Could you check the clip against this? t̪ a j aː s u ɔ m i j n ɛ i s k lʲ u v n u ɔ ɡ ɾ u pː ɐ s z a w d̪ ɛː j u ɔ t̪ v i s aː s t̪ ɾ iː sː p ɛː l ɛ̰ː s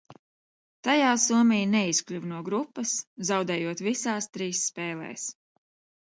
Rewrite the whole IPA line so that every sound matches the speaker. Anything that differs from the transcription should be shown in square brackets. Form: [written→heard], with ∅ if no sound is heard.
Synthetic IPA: t̪ a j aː s u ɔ m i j n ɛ i s k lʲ u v n u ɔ ɡ ɾ u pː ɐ s z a w d̪ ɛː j u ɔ t̪ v i s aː s t̪ ɾ iː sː p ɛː l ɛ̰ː s